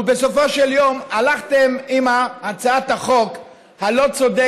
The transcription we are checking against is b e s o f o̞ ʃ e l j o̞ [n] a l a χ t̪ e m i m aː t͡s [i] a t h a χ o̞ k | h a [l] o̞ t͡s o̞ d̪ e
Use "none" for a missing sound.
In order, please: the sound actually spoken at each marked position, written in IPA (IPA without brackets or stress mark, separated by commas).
m, a, l